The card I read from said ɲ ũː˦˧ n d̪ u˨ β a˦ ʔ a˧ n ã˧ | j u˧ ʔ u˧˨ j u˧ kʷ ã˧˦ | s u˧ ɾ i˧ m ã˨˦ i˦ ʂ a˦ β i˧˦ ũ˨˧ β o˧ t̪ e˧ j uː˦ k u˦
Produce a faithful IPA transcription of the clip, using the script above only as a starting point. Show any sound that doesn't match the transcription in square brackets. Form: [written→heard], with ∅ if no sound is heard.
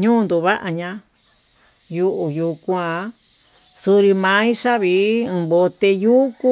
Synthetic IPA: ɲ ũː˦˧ n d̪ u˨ β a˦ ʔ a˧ [n→ɲ] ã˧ | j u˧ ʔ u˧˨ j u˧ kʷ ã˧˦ | s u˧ ɾ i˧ m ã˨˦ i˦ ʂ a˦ β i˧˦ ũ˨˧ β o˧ t̪ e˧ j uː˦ k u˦